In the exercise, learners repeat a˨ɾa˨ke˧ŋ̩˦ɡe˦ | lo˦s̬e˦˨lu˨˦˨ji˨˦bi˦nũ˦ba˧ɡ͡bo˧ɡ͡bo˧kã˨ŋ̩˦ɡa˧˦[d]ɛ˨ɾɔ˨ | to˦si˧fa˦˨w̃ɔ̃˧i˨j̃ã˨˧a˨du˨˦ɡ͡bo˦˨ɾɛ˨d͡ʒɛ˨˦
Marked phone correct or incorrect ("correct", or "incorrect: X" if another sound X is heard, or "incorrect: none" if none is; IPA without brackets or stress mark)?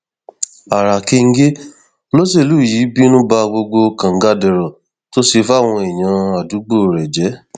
correct